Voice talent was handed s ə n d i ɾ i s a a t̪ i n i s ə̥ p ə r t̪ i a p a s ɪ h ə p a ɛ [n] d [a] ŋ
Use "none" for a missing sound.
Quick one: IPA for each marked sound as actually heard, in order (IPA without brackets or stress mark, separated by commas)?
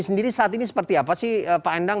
n, a